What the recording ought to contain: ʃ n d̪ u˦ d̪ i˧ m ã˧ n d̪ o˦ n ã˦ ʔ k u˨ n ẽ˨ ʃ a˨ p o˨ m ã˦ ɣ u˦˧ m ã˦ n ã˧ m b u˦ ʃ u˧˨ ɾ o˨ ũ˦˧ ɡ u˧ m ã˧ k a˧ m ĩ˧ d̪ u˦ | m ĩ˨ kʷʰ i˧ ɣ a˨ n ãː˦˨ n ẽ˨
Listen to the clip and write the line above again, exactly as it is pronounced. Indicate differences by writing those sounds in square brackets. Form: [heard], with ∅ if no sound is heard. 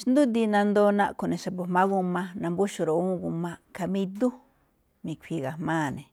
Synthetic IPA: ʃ n d̪ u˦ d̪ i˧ [n] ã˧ n d̪ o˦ n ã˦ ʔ k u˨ n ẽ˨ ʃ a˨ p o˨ m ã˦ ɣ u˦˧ m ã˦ n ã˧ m b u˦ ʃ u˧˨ ɾ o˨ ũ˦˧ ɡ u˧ m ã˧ k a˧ m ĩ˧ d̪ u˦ | m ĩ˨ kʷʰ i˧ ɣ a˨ [m] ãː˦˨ n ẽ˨